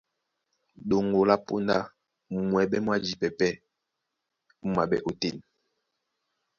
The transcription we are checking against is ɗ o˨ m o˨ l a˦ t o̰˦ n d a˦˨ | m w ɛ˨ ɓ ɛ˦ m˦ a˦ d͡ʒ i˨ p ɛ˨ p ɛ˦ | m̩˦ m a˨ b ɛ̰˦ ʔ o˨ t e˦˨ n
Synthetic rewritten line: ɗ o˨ ŋ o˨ l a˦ p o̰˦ n d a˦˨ | m w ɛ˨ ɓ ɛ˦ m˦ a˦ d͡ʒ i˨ p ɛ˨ p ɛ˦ | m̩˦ m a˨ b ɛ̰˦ ʔ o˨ t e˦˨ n